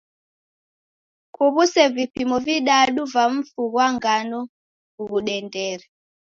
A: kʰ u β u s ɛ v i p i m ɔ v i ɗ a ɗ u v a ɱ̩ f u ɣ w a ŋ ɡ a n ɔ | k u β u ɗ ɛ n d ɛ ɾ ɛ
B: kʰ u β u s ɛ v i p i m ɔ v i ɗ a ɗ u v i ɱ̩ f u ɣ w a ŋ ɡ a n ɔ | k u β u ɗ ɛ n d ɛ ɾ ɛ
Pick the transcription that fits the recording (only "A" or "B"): A